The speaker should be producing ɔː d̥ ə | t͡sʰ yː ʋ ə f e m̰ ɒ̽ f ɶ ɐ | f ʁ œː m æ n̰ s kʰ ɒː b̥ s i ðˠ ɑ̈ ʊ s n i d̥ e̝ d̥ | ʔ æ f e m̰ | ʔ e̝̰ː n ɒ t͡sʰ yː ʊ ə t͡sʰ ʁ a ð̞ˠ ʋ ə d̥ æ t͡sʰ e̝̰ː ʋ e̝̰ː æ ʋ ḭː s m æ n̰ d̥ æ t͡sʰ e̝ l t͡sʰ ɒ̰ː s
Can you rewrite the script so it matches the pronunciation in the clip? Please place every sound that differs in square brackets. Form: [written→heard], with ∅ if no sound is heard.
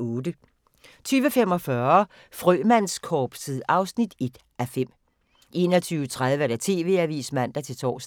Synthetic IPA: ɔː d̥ ə | t͡sʰ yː ʋ ə f e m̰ ɒ̽ f ɶ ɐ | f ʁ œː m æ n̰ s kʰ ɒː b̥ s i ðˠ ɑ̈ ʊ s n i d̥ e̝ d̥ | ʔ æ f e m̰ | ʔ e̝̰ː n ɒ t͡sʰ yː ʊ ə t͡sʰ ʁ a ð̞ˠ ʋ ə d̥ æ t͡sʰ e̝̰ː ʋ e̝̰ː æ ʋ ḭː s m æ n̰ d̥ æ t͡sʰ e̝ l t͡sʰ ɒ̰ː s